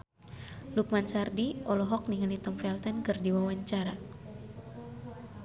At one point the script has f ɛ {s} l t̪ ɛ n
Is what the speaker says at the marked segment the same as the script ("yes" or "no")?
no